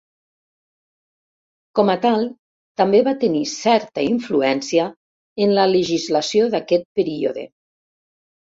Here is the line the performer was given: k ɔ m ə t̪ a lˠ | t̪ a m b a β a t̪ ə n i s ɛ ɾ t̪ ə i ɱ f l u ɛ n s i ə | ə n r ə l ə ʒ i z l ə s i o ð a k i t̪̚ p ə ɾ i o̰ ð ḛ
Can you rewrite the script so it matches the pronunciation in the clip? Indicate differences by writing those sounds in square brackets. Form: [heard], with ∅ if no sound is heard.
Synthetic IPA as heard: k ɔ m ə t̪ a lˠ | t̪ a m b [e] β a t̪ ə n i s ɛ ɾ t̪ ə i ɱ f l u ɛ n s i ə | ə n [l] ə l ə ʒ i z l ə s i o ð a k [ɛ] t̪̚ p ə ɾ i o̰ ð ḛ